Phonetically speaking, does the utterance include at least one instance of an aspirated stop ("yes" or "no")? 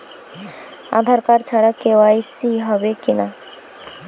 yes